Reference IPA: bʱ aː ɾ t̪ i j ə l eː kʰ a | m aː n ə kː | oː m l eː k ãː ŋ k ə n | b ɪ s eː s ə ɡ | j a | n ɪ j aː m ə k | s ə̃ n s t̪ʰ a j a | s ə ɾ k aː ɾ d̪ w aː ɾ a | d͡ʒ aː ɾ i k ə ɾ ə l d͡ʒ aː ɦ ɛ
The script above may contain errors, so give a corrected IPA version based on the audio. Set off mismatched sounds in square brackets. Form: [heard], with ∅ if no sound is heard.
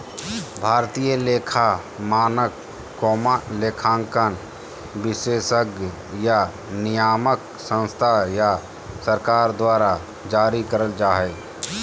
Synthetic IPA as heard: bʱ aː ɾ t̪ i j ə l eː kʰ a | m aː n ə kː | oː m l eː [kʰ] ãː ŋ k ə n | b ɪ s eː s ə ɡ | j a | n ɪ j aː m ə k | s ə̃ n s t̪ʰ a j a | s ə ɾ k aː ɾ d̪ w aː ɾ a | d͡ʒ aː ɾ i k ə ɾ ə l d͡ʒ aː ɦ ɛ